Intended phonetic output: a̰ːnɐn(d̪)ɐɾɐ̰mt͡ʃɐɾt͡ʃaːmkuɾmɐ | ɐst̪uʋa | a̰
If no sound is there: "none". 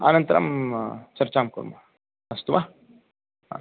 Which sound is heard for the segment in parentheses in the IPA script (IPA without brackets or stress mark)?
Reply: t̪